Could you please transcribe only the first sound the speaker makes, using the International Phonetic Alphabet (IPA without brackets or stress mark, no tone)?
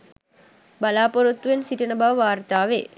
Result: b